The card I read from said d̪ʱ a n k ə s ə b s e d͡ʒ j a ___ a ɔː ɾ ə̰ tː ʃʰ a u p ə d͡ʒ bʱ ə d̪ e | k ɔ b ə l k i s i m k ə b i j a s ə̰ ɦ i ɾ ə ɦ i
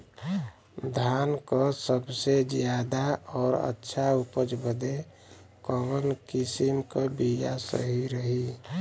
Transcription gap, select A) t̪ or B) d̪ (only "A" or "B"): B